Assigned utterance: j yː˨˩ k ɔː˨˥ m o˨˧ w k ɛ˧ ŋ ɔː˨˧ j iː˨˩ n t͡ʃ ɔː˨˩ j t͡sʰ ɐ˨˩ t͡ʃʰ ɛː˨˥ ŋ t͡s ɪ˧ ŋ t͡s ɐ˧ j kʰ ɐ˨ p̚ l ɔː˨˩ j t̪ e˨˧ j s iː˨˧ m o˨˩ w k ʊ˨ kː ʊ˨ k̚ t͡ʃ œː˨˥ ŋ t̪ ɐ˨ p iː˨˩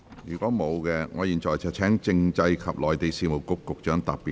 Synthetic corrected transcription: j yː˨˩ k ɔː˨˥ m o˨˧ w k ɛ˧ ŋ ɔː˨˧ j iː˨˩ n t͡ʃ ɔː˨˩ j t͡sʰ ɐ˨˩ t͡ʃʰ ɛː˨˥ ŋ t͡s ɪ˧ ŋ t͡s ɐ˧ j kʰ ɐ˨ p̚ l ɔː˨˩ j t̪ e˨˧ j s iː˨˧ m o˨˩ w k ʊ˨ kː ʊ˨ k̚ t͡ʃ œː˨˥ ŋ t̪ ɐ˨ p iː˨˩

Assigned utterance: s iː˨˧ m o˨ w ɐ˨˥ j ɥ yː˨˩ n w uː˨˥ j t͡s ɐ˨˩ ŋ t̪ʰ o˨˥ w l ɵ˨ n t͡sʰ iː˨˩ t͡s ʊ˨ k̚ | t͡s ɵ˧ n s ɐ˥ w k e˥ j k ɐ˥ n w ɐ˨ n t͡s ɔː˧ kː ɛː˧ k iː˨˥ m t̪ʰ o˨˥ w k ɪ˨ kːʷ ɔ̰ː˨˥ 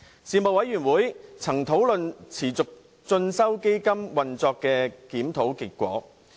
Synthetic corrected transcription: s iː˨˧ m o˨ w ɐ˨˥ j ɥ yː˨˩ n w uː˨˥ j t͡sʰ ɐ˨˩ ŋ t̪ʰ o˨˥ w l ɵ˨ n t͡sʰ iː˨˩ t͡s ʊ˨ k̚ | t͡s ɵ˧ n s ɐ˥ w k e˥ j k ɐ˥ m w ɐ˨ n t͡s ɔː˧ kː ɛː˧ k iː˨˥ m t̪ʰ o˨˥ w k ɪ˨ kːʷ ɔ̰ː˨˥

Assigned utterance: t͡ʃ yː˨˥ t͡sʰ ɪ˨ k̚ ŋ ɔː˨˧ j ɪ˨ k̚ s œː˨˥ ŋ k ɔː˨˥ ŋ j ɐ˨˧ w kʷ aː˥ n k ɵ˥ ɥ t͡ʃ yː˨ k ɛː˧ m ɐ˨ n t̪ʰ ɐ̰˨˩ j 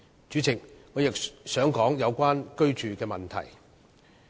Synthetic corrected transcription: t͡ʃ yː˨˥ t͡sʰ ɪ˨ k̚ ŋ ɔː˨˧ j ɪ˨ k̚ s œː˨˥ ŋ k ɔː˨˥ ŋ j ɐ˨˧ w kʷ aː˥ n k ɵ˥ ɥ t͡ʃ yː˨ k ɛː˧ m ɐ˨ n t̪ʰ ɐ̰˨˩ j

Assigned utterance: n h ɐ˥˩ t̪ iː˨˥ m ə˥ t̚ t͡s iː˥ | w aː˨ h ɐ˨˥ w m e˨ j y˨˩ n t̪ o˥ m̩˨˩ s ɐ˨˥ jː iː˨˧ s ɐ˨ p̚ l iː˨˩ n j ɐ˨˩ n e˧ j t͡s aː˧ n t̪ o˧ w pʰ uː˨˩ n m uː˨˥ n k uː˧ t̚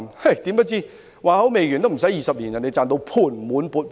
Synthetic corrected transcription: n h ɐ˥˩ t̪ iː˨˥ m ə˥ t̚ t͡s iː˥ | w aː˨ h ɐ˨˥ w m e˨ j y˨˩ n t̪ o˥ m̩˨˩ s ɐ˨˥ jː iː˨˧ s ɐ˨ p̚ l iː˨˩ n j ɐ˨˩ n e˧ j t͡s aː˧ n t̪ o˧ w pʰ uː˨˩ n m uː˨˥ n p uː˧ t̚

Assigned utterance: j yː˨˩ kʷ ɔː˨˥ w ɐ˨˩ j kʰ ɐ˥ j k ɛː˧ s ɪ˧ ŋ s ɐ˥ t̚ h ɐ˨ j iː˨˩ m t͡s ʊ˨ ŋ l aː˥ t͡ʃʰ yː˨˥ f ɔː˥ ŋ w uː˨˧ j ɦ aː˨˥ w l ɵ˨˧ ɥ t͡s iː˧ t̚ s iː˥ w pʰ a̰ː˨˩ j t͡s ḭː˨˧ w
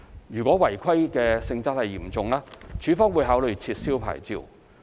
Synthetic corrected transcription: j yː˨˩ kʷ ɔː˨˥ w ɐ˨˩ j kʰ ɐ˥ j k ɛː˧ s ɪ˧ ŋ t͡s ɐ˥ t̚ h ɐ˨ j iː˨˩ m t͡s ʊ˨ ŋ l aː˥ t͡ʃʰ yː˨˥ f ɔː˥ ŋ w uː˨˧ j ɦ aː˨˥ w l ɵ˨˧ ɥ t͡sʰ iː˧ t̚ s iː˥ w pʰ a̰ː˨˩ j t͡s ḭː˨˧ w

